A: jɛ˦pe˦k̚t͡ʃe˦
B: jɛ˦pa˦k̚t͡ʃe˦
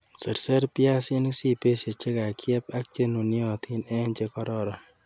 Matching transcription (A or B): B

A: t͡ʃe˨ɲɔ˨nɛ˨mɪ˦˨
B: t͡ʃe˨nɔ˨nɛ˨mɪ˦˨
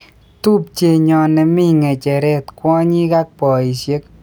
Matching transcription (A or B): A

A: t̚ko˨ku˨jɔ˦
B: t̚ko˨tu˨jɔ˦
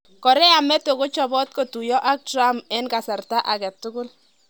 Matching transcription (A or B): B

